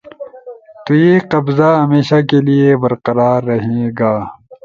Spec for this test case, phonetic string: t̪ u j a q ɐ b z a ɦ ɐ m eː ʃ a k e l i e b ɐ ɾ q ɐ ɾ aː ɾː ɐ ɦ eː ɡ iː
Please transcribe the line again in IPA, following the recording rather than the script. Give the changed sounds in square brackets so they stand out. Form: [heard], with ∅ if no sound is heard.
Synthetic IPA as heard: t̪ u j [e] q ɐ b z a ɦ ɐ m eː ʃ a k e l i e b ɐ ɾ q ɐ ɾ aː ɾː ɐ ɦ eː ɡ [aː]